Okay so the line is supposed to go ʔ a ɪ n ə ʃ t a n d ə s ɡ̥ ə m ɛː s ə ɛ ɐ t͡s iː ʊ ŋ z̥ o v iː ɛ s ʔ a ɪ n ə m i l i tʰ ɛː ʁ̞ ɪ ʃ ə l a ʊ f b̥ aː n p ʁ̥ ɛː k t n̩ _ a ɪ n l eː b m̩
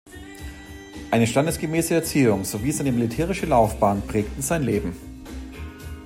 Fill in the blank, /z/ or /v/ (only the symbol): z